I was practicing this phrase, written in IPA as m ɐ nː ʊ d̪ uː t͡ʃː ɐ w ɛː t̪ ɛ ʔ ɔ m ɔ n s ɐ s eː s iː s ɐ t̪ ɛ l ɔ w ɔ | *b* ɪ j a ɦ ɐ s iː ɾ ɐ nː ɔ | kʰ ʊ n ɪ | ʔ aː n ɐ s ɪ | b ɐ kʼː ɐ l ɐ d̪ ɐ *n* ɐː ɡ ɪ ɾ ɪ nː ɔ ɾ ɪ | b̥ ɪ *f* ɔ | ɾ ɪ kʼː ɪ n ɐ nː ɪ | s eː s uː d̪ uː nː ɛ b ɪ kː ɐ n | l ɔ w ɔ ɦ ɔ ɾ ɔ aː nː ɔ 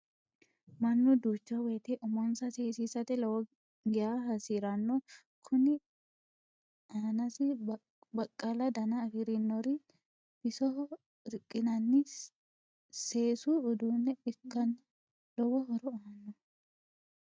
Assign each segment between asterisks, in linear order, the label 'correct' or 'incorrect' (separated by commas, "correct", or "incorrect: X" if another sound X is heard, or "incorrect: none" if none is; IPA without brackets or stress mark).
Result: incorrect: ɡ, correct, incorrect: s